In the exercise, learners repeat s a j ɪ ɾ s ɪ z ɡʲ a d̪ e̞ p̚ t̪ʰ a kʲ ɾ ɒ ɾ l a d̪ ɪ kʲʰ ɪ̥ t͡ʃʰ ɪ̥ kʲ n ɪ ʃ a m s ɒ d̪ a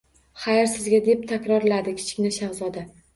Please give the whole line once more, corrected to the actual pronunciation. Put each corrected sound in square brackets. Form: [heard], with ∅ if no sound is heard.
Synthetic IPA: [χ] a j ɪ ɾ s ɪ z ɡʲ a d̪ e̞ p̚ t̪ʰ a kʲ ɾ ɒ ɾ l a d̪ ɪ kʲʰ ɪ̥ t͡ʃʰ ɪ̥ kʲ n ɪ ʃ a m [z] ɒ d̪ a

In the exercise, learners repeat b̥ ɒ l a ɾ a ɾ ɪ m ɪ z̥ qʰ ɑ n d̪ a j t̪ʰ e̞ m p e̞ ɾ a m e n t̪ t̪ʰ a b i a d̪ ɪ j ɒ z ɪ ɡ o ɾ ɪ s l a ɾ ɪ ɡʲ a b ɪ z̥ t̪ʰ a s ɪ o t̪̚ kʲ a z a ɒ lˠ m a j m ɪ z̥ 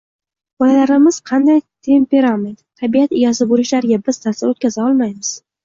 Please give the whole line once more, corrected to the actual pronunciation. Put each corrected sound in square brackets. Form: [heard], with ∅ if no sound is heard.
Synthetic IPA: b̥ ɒ l a [l] a ɾ ɪ m ɪ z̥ qʰ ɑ n d̪ a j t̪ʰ e̞ m p e̞ ɾ a m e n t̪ t̪ʰ a b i a [t̪] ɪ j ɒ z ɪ [b] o ɾ ɪ [ʃ] l a ɾ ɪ ɡʲ a b ɪ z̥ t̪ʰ a s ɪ o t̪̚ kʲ a z a ɒ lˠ m a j m ɪ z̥

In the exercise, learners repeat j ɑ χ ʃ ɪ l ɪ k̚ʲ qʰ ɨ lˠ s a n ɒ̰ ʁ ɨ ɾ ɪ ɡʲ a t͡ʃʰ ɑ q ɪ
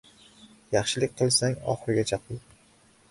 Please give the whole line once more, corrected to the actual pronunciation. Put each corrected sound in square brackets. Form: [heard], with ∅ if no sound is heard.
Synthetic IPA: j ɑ χ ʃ ɪ l ɪ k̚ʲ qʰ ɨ lˠ s a [ŋ] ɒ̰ [χ] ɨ ɾ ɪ ɡʲ a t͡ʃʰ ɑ q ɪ

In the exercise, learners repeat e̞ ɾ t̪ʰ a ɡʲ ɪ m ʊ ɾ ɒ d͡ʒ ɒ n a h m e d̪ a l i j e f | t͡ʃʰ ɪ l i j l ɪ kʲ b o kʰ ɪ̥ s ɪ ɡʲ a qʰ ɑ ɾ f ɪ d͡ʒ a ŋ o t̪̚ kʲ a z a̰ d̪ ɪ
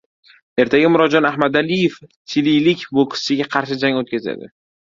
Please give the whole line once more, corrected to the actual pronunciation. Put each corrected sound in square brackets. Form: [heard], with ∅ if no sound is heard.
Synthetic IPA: e̞ ɾ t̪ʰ a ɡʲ ɪ m ʊ ɾ ɒ d͡ʒ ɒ n a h m [a] d̪ a l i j e f | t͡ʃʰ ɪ l i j l ɪ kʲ b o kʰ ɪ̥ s ɪ ɡʲ a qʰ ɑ ɾ [ʃ] ɪ d͡ʒ a ŋ o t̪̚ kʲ a z a̰ d̪ ɪ

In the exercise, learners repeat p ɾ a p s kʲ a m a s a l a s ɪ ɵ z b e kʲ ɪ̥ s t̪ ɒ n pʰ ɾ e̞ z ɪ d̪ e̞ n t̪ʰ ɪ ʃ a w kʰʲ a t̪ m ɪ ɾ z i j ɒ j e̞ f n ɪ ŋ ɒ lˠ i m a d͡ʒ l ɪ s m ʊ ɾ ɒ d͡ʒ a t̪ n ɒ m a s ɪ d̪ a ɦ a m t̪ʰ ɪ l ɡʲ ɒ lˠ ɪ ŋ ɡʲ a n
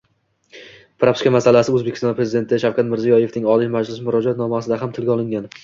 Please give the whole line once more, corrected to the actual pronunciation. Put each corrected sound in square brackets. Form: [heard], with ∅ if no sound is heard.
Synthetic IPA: p ɾ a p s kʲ a m a s a l a s ɪ ɵ z b e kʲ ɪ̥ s t̪ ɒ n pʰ ɾ e̞ z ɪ d̪ e̞ n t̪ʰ ɪ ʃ a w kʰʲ a t̪ m ɪ ɾ z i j ɒ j e̞ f n ɪ ŋ ɒ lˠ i m a d͡ʒ l ɪ s m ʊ ɾ ɒ d͡ʒ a t̪ n ɒ m a s ɪ d̪ a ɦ a m t̪ʰ ɪ l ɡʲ ɒ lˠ ɪ ŋ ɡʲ a n

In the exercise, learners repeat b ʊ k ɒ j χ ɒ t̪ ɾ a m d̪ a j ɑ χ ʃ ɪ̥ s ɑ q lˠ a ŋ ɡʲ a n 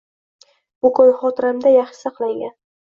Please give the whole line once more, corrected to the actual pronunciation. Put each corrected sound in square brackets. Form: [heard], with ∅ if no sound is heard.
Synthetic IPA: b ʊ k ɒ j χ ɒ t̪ ɾ a m d̪ a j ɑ χ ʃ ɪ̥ s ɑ q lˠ a ŋ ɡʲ a n

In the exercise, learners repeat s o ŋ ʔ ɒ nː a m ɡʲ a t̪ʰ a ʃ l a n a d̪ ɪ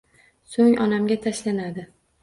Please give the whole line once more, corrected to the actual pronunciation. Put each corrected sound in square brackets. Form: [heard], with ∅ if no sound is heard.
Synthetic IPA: s o ŋ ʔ ɒ [n] a m ɡʲ a t̪ʰ a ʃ l a n a d̪ ɪ

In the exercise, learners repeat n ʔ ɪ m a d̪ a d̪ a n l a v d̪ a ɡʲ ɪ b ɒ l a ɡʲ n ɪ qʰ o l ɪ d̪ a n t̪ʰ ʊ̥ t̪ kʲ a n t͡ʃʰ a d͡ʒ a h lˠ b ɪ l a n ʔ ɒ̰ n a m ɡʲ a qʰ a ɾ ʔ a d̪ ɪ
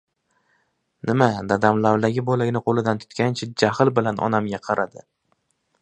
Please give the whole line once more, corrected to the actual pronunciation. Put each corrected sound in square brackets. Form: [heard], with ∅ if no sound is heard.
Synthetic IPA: n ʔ ɪ m a d̪ a d̪ a [m] l a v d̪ a ɡʲ ɪ b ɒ l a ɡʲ n ɪ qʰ o l ɪ d̪ a n t̪ʰ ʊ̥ t̪ kʲ a n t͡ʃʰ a d͡ʒ a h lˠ b ɪ l a n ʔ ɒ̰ n a m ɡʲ a qʰ [ɑ] ɾ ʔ a d̪ ɪ

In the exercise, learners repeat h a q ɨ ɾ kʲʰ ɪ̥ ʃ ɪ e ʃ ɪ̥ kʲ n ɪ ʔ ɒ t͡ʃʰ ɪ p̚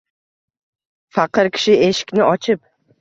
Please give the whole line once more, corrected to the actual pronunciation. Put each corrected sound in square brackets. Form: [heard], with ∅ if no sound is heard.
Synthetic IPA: [f] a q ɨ ɾ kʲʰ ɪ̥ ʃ ɪ e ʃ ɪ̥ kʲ n ɪ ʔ ɒ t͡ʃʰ ɪ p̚

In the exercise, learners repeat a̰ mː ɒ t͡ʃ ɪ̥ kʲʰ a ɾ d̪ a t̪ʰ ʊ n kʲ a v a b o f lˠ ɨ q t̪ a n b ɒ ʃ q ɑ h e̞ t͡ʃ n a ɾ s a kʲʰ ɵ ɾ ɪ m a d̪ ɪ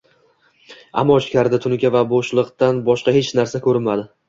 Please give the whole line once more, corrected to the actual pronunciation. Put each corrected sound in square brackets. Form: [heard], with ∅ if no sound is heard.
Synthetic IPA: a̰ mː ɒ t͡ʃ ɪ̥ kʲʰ a ɾ d̪ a t̪ʰ ʊ n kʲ a v a b o [ʃ] lˠ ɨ q t̪ a n b ɒ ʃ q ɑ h e̞ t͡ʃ n a ɾ s a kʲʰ ɵ ɾ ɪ m a d̪ ɪ

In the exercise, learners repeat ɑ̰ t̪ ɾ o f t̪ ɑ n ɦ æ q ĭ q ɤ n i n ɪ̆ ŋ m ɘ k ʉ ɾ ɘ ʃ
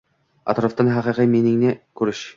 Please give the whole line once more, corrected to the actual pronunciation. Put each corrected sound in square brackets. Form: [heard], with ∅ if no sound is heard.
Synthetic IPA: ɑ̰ t̪ ɾ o f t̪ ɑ n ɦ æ q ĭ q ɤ [m] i n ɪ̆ ŋ [n] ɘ k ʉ ɾ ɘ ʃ

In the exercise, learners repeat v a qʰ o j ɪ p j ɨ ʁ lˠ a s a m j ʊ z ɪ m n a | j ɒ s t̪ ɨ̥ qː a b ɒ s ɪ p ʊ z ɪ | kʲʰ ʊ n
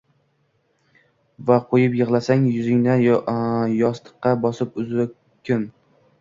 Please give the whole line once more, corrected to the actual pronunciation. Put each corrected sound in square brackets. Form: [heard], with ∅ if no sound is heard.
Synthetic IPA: v a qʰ o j ɪ p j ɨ ʁ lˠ a s a [ŋ] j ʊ z ɪ [ŋ] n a | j ɒ s t̪ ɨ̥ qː [ɑ] b ɒ s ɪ p ʊ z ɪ | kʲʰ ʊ n

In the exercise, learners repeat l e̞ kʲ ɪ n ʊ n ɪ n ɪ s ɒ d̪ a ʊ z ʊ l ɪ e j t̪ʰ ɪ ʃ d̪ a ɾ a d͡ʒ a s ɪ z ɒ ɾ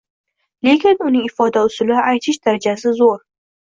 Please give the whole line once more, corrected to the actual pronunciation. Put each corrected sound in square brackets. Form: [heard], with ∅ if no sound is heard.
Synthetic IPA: l e̞ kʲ ɪ n ʊ n ɪ [ŋ] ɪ [f] ɒ d̪ a ʊ [s] ʊ l ɪ [a] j t̪ʰ ɪ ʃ d̪ a ɾ a d͡ʒ a s ɪ z [o] ɾ

